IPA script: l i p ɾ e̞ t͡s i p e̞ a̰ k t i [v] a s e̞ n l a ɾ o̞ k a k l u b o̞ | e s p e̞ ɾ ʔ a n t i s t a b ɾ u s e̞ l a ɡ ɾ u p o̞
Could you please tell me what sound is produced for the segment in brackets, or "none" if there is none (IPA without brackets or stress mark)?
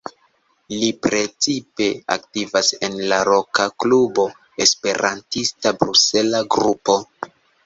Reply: v